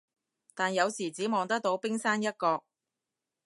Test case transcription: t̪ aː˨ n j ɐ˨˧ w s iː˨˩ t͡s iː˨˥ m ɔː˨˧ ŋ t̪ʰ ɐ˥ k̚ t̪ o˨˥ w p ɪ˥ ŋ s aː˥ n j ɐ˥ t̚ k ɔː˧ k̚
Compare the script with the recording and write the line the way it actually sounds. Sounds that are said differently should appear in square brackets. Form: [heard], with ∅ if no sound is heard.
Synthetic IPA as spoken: t̪ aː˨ n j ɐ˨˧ w s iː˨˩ t͡s iː˨˥ m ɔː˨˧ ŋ [t̪] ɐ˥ k̚ t̪ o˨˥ w p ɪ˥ ŋ s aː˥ n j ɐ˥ t̚ k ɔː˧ k̚